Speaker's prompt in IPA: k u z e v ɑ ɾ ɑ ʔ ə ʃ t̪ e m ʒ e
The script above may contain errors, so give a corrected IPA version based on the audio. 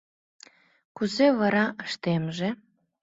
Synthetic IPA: k u z e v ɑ ɾ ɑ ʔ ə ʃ t̪ e m ʒ e